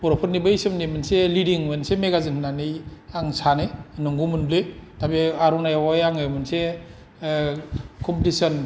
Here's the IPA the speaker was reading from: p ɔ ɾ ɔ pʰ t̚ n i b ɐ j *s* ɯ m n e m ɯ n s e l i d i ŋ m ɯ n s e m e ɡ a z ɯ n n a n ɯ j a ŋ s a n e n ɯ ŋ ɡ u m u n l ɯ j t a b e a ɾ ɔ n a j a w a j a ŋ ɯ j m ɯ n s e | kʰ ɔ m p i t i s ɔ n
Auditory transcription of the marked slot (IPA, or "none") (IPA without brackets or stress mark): s